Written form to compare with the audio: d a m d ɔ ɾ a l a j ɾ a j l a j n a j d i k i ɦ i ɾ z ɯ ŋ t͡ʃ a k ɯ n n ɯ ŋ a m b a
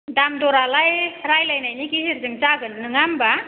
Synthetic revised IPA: d a m d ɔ ɾ a l a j ɾ a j l a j n a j n i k i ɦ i ɾ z ɯ ŋ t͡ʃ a ɡ ɯ n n ɯ ŋ a m b a